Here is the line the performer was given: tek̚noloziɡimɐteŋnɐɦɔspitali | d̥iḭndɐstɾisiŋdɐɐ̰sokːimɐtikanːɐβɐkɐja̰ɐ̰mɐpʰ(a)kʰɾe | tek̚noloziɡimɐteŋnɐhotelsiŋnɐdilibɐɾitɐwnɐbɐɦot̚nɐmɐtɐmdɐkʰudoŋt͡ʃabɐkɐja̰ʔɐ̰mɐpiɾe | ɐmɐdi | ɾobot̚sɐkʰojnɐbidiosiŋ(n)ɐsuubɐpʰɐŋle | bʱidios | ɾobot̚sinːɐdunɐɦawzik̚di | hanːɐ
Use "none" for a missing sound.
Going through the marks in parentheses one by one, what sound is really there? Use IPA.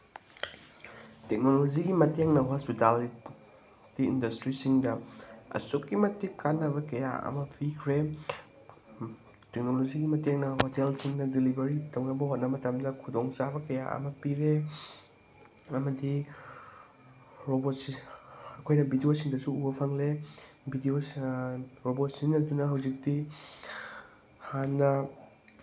i, d

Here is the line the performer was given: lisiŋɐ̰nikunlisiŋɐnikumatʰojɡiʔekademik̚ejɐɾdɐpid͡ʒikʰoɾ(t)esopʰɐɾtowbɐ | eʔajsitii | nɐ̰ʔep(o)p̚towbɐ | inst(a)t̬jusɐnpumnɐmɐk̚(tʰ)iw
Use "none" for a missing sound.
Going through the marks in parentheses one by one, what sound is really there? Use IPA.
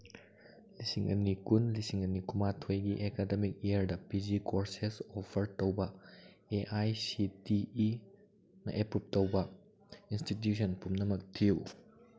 s, u, i, tʰ

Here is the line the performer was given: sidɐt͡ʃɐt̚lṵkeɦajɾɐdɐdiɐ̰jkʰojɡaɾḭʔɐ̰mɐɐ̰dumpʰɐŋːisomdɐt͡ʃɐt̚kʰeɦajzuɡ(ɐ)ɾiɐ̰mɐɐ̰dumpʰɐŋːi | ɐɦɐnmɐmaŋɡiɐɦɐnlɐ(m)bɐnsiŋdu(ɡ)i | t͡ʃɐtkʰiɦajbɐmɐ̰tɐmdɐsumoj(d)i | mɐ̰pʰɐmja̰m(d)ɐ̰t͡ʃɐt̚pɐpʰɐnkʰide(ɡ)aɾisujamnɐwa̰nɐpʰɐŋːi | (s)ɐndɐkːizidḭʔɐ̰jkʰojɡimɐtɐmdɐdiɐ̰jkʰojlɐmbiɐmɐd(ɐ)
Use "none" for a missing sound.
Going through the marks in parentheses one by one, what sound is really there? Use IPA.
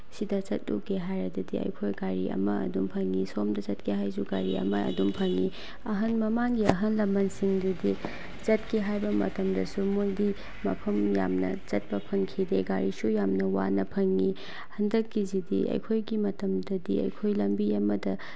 a, m, d, d, n, ɡ, h, ɐ

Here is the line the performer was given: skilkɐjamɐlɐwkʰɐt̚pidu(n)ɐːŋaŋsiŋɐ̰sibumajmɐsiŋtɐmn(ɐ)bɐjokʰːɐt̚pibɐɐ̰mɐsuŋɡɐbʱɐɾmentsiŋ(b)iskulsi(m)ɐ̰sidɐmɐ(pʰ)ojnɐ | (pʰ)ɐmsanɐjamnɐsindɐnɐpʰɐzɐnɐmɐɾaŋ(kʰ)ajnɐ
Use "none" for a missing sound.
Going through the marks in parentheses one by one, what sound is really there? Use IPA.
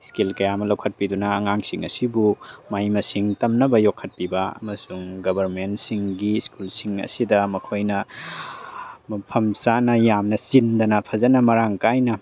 n, ɐ, ɡ, ŋ, kʰ, pʰ, k

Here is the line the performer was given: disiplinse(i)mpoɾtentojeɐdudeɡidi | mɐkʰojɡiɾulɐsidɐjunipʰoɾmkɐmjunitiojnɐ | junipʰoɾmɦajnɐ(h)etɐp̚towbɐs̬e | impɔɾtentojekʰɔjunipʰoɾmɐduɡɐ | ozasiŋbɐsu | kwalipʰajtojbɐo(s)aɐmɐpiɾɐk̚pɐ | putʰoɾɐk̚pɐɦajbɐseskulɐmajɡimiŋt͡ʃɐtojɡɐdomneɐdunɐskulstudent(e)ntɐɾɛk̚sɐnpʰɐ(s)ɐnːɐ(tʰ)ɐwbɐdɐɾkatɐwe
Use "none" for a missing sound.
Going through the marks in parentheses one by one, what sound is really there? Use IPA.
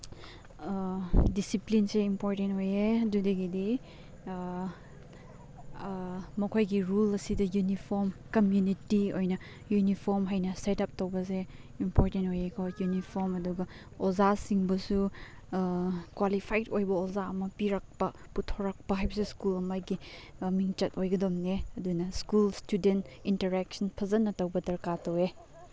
i, s, z, i, z, t

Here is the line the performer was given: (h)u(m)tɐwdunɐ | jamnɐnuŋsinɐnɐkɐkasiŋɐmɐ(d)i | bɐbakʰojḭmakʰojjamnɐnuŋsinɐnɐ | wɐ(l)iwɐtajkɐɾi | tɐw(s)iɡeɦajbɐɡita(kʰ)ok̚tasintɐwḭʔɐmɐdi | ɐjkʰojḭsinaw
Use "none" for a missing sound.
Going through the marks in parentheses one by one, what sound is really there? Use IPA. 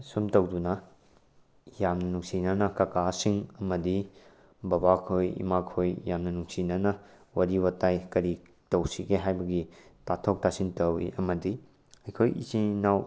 s, m, d, ɾ, s, tʰ

